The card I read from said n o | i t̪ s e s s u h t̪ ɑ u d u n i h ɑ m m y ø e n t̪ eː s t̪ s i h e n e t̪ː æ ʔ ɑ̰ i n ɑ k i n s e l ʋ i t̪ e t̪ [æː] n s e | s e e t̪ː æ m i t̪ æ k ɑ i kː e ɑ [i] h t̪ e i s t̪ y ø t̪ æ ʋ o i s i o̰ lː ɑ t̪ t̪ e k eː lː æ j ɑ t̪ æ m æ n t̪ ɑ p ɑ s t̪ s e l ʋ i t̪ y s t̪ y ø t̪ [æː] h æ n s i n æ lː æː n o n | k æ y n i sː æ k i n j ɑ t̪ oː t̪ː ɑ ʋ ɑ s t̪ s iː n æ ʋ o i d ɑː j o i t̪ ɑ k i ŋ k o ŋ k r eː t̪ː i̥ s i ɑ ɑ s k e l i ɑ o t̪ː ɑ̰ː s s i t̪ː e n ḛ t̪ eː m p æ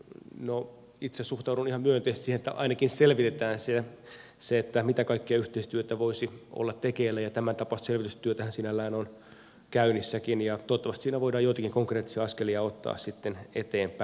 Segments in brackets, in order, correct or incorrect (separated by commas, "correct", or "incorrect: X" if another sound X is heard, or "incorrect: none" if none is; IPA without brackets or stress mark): correct, incorrect: y, incorrect: æ